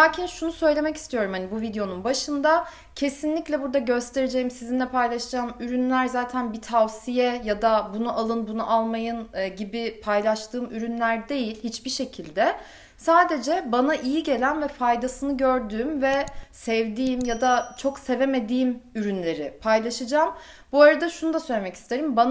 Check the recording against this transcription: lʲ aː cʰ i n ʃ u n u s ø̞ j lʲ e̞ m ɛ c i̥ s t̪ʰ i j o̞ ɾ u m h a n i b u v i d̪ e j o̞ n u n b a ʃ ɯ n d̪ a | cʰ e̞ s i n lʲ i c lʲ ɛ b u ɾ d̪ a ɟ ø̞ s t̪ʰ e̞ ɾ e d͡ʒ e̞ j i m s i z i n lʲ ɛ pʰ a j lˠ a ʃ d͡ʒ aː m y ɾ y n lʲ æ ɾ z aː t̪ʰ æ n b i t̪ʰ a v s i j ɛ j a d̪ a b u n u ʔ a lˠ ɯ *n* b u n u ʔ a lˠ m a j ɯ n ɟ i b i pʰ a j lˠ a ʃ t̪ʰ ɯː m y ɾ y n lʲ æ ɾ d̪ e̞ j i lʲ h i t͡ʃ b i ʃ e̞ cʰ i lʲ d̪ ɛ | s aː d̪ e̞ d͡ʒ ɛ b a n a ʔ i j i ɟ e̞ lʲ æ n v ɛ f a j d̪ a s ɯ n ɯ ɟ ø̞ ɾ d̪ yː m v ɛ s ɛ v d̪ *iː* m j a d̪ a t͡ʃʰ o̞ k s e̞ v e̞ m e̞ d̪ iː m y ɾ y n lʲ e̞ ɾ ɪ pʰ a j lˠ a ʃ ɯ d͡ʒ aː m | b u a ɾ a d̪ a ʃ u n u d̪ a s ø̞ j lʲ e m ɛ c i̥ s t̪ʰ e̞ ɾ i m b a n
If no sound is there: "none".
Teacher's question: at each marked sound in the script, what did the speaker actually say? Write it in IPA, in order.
n, iː

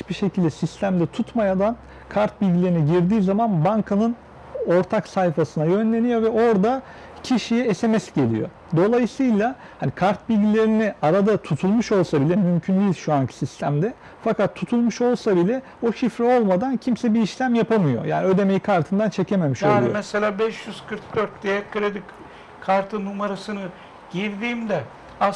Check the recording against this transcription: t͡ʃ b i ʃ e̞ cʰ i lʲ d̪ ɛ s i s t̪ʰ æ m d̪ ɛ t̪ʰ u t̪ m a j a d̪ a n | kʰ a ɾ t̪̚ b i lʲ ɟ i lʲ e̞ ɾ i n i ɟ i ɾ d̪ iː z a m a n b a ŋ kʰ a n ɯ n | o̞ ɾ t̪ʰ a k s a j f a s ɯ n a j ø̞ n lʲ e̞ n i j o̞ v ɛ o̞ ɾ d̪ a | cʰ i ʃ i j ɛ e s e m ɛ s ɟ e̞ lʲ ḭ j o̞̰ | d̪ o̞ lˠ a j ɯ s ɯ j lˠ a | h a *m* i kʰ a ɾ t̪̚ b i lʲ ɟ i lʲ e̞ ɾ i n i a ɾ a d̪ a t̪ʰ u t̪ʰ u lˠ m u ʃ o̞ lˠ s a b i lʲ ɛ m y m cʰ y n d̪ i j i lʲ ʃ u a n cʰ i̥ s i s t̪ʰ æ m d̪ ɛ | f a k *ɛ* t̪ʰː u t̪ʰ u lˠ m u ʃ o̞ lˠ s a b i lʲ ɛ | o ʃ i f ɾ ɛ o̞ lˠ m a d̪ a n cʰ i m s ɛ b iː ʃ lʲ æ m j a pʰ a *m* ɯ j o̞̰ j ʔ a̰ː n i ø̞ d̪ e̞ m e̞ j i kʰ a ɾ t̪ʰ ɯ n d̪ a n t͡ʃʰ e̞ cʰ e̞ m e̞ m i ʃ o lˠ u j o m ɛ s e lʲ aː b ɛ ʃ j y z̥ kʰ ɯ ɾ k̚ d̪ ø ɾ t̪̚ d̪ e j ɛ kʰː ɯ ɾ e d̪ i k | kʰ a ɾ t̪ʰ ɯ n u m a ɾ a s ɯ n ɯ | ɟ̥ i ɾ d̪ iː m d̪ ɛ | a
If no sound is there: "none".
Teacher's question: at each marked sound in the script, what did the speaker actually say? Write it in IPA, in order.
n, a, m

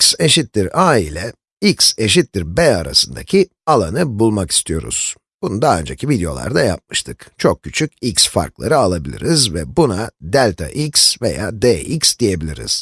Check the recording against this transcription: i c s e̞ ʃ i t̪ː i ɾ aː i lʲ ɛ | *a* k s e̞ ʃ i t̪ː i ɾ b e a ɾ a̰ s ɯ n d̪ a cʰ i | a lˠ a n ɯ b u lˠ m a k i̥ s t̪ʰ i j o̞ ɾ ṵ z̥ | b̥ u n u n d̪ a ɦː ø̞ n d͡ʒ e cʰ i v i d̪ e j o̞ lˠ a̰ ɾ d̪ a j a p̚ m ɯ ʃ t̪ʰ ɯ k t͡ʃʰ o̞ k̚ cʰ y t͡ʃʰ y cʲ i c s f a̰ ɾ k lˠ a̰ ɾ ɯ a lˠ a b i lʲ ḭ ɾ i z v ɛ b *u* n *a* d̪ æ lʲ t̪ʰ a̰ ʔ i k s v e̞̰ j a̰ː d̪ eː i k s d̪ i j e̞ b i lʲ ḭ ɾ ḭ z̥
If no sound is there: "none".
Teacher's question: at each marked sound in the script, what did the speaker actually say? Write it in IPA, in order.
i, u, a

